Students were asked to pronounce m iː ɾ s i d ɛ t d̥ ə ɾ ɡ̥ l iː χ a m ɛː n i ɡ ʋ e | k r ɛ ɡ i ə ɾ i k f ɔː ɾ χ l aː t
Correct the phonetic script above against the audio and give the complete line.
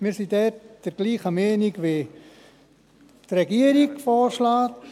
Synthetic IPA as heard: m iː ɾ s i d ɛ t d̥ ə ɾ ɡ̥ l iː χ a m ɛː n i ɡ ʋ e | t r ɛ ɡ i ə ɾ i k f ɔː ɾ ʃ l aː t